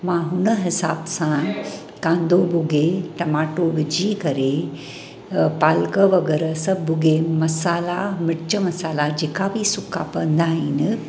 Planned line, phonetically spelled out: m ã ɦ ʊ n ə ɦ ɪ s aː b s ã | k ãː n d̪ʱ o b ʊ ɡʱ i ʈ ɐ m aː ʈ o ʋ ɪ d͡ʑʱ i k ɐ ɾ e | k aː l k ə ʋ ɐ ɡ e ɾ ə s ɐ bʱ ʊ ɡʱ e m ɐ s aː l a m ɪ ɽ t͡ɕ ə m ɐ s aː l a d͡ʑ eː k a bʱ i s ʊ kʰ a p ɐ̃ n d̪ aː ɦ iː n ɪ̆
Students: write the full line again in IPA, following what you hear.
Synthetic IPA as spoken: m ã ɦ ʊ n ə ɦ ɪ s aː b s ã | k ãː n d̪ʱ o b ʊ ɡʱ e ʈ ɐ m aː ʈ o ʋ ɪ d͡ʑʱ i k ɐ ɾ e | p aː l k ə ʋ ɐ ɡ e ɾ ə s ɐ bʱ ʊ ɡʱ e m ɐ s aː l a m ɪ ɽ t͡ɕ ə m ɐ s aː l a d͡ʑ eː k a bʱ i s ʊ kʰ a p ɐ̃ n d̪ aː ɦ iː n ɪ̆